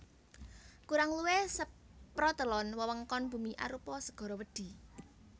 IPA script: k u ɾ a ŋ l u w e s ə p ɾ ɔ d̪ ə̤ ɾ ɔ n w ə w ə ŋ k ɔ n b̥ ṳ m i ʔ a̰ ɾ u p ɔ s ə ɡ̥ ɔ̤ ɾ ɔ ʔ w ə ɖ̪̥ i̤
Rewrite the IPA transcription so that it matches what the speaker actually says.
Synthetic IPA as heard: k u ɾ a ŋ l u w e s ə p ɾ ɔ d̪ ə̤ l ɔ n w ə w ə ŋ k ɔ n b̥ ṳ m i ʔ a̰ ɾ u p ɔ s ə ɡ̥ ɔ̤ ɾ ɔ w ə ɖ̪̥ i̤

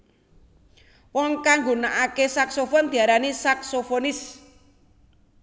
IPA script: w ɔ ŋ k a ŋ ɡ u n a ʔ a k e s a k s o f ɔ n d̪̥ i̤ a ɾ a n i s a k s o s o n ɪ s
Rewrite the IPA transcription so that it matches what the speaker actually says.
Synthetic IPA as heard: w ɔ ŋ k a ŋ ɡ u n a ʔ a k e s a k s o f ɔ n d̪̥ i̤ a ɾ a n i s a k s o f o n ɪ s

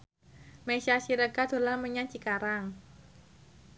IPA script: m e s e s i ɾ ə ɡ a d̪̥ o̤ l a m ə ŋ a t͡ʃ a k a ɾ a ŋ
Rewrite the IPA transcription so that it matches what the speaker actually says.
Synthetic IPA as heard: m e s a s i ɾ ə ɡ a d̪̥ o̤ l a m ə ɲ a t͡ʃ i k a ɾ a ŋ

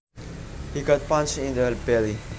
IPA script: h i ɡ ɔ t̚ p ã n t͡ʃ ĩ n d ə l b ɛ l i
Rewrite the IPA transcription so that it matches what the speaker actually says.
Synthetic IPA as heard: h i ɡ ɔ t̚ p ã n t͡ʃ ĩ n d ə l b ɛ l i

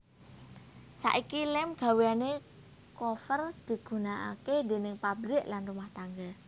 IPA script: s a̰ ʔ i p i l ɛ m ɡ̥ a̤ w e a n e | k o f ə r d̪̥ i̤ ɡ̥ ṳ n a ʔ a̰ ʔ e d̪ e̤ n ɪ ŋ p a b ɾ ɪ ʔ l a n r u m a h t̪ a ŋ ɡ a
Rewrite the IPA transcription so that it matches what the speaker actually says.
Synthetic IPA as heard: s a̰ ʔ i k i l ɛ m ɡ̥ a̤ w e a n e | k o f ə r d̪̥ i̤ ɡ̥ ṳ n a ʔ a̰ k e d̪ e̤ n ɪ ŋ p a b ɾ ɪ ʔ l a n r u m a h t̪ a ŋ ɡ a

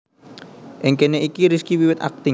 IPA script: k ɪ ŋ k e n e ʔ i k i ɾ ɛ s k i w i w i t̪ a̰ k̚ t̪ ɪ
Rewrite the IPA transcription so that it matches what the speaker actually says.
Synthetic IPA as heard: ʔ ɪ ŋ k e n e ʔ i k i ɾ i s k i w i w ɪ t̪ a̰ k̚ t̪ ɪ

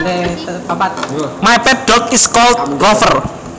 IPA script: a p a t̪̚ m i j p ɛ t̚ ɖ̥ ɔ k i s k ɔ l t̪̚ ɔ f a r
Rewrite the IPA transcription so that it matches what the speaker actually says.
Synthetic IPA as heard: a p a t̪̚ m a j p ɛ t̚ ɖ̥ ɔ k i s k ɔ l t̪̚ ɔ f ə r

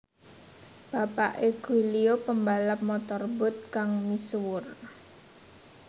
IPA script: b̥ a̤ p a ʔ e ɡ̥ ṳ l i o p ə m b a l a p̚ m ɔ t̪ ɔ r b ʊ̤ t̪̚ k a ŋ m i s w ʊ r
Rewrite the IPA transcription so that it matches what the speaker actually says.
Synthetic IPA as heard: b̥ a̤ p a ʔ e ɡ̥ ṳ l i o p ə m b a l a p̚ m ɔ t̪ ɔ r b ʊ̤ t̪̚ k a ŋ m i s w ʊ r

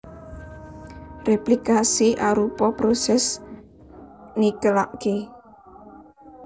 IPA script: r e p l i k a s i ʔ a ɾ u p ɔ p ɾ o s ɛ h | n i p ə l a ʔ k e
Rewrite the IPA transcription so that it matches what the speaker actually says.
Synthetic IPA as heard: r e p l i k a s i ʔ a ɾ u p ɔ p ɾ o s ɛ s | n i k ə l a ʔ k e

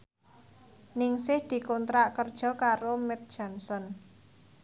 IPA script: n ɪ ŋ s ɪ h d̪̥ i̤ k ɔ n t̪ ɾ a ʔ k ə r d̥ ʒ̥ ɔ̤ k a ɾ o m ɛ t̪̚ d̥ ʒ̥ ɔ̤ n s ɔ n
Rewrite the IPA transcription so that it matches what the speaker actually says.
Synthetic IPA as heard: n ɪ ŋ s ɪ h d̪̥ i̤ k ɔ n t̪ ɾ a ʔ k ə r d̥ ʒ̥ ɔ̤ k a ɾ o m ɛ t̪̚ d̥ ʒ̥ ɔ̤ n s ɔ n

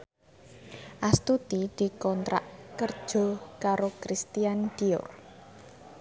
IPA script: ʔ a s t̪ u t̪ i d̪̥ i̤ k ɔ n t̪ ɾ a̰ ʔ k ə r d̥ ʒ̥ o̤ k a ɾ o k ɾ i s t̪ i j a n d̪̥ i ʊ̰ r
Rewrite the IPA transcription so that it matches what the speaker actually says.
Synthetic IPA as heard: ʔ a s t̪ u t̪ i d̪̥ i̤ k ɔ n t̪ ɾ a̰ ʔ k ə r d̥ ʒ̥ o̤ k a ɾ o k ɾ i s t̪ i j a n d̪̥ i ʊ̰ r

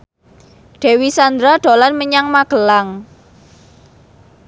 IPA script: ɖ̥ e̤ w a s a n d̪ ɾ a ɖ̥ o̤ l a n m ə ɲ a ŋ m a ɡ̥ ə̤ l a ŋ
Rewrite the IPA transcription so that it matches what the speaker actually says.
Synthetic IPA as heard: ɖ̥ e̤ w i s a n d̪ ɾ a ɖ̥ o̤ l a n m ə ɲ a ŋ m a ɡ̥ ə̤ l a ŋ

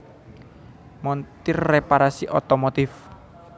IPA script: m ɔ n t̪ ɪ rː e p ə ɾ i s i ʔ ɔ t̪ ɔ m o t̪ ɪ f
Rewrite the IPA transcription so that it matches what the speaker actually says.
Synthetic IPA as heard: m ɔ n t̪ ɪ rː e p a ɾ a s i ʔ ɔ t̪ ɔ m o t̪ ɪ f

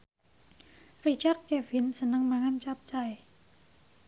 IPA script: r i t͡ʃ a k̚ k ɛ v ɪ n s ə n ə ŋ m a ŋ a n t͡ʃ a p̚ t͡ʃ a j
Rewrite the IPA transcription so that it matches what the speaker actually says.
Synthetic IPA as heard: r i t͡ʃ a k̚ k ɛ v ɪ n s ə n ə ŋ m a ŋ a n t͡ʃ a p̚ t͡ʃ a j

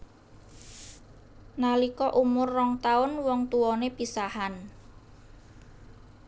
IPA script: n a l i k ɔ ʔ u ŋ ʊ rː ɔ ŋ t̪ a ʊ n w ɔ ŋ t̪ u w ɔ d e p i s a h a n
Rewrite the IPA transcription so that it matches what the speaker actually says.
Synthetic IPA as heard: n a l i k ɔ ʔ u m ʊ rː ɔ ŋ t̪ a ʊ n w ɔ ŋ t̪ u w ɔ n e p i s a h a n

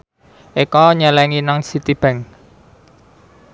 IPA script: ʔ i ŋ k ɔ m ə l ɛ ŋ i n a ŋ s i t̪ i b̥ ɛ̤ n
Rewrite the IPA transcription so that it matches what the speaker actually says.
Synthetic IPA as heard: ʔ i k ɔ ɲ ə l ɛ ŋ i n a ŋ s i t̪ i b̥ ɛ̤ ŋ

